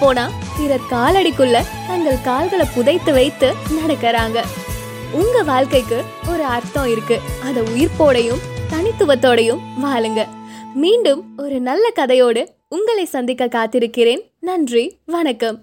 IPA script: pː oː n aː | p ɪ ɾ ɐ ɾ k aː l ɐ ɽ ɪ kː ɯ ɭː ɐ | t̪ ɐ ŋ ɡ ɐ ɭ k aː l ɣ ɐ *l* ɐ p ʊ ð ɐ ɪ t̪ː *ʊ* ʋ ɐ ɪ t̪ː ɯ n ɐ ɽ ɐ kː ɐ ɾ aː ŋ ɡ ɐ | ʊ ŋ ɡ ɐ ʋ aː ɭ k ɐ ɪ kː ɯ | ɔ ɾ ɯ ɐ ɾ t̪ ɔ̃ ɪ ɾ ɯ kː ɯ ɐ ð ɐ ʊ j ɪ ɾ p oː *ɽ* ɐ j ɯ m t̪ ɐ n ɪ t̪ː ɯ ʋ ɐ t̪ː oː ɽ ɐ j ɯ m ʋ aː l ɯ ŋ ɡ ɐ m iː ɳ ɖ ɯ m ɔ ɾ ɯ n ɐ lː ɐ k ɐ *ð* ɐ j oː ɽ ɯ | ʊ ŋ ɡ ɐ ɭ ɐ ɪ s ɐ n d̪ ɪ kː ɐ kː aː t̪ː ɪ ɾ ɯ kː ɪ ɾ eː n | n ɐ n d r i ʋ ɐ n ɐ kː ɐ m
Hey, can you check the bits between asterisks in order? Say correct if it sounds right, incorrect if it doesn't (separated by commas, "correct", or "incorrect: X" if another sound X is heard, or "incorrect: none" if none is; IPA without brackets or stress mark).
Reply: incorrect: ɭ, incorrect: ɯ, correct, correct